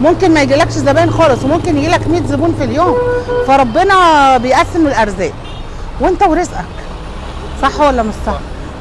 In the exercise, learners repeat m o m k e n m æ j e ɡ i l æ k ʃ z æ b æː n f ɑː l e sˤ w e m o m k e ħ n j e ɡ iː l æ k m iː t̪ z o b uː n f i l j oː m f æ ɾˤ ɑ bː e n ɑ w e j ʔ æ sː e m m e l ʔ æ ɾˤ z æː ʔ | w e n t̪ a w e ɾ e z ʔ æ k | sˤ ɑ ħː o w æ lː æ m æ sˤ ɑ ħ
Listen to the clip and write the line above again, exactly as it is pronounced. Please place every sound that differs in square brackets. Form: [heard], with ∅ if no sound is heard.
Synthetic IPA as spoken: m o m k e n m æ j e ɡ i l æ k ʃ z æ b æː n [x] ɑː l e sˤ w e m o m k e [∅] n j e ɡ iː l æ k m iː t̪ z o b uː n f i l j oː m f æ ɾˤ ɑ bː e n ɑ [b] e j ʔ æ sː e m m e l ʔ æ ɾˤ z æː ʔ | w e n t̪ [æ] w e ɾ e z ʔ æ k | sˤ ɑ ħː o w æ lː æ m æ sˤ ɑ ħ

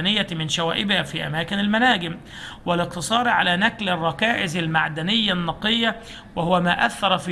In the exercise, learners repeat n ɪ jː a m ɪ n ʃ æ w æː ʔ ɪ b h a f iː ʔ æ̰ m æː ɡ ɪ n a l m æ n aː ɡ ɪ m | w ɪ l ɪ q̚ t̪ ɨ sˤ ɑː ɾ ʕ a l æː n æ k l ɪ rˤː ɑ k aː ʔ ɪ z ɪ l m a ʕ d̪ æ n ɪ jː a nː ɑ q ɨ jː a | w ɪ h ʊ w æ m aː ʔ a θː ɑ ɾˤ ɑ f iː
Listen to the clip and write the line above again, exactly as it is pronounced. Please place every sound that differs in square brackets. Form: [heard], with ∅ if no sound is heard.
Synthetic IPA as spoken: n ɪ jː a m ɪ n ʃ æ w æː ʔ ɪ b h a f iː ʔ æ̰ m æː [k] ɪ n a l m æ n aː ɡ ɪ m | w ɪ l ɪ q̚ t̪ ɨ sˤ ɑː ɾ ʕ a l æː n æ k l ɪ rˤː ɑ k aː ʔ ɪ z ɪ l m a ʕ d̪ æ n ɪ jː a nː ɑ q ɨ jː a | w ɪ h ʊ w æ m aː ʔ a θː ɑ ɾˤ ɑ f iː

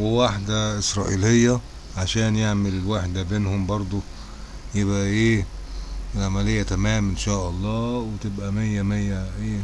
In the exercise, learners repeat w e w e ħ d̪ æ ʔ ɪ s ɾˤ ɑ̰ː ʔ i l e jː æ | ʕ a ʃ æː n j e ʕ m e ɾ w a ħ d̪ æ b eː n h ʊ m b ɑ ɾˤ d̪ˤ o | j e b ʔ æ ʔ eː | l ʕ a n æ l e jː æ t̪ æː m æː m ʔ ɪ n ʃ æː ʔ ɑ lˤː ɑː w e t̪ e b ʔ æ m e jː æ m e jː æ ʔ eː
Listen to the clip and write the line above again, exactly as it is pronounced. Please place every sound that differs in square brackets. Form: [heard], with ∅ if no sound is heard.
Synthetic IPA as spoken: w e w [a] ħ d̪ æ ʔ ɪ s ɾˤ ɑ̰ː ʔ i l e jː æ | ʕ a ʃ æː n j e ʕ m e [l] w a ħ d̪ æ b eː n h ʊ m b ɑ ɾˤ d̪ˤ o | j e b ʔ æ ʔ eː | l ʕ a [m] æ l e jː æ t̪ [æ] m æː m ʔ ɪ n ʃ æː ʔ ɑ lˤː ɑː w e t̪ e b ʔ æ m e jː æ m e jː æ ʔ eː

